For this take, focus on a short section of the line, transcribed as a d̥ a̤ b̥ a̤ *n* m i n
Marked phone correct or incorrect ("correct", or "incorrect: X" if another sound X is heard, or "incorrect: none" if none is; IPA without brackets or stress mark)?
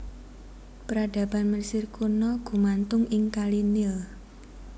correct